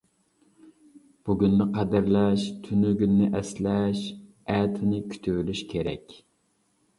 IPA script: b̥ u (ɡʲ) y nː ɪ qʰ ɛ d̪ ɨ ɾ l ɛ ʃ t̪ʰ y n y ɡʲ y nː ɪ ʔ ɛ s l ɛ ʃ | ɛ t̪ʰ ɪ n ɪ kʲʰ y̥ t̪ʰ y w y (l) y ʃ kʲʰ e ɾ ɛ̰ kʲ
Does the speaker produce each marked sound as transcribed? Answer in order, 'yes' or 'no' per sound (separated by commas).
yes, yes